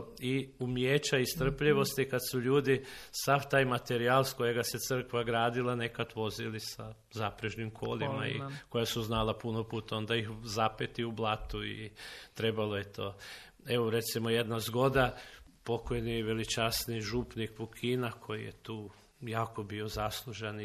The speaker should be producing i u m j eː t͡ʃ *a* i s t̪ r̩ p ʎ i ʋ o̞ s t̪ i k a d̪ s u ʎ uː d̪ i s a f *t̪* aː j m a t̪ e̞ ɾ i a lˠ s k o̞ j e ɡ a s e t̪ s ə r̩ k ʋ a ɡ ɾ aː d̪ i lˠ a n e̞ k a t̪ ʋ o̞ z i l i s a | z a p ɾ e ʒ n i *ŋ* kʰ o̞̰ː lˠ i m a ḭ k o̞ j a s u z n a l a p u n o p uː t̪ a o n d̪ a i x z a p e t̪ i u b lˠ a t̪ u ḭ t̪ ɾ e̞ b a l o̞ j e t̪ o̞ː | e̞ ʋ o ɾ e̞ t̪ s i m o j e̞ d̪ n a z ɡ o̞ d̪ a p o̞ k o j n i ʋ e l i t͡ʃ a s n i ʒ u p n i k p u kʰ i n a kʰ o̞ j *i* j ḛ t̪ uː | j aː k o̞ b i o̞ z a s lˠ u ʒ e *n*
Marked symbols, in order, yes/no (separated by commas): yes, yes, no, yes, yes